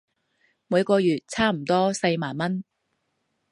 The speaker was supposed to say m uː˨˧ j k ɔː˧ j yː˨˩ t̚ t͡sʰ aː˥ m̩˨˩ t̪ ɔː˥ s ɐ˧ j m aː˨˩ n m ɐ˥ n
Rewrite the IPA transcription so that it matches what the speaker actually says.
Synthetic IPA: m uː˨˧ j k ɔː˧ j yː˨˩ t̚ t͡sʰ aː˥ m̩˨˩ t̪ ɔː˥ s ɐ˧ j m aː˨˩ n m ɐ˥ n